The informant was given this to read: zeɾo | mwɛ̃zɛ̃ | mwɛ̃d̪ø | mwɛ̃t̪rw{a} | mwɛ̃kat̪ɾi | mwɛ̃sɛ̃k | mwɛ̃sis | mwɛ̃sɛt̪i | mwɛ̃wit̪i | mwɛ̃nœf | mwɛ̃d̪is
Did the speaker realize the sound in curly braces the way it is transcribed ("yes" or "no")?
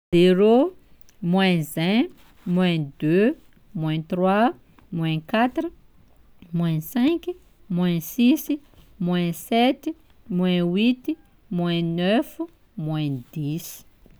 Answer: yes